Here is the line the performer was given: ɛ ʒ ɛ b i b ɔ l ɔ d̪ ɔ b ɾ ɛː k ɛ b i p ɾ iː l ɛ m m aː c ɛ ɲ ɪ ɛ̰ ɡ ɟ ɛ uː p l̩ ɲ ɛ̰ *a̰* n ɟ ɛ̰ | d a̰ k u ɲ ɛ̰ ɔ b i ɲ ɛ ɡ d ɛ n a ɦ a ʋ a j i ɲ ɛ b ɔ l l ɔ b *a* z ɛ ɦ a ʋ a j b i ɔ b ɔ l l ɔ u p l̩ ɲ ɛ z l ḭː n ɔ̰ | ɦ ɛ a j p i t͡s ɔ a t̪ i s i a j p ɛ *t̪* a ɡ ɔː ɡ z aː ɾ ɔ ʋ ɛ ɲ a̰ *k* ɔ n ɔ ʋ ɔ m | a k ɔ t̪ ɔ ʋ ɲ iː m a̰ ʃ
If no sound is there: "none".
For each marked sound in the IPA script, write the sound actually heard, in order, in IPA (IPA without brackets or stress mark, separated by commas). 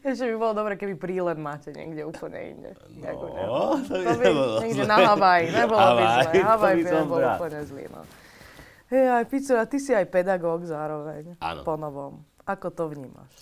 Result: ḭ, i, d̪, p